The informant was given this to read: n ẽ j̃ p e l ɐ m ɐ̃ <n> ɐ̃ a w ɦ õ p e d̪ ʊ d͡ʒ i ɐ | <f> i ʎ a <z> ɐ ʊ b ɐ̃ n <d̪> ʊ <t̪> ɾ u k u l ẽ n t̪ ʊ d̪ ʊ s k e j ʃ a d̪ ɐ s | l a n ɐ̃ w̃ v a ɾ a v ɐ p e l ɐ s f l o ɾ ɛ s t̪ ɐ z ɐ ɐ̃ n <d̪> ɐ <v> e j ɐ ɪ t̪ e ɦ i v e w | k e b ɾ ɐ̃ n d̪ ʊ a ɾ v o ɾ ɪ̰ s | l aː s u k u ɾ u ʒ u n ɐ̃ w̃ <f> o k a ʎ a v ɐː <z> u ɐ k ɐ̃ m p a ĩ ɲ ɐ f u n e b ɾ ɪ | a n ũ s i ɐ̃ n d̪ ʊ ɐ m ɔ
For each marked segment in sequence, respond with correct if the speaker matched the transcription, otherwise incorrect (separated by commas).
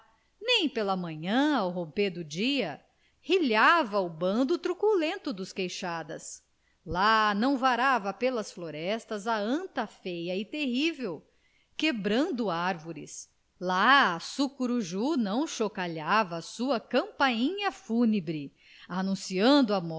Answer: incorrect, incorrect, incorrect, correct, correct, incorrect, incorrect, incorrect, incorrect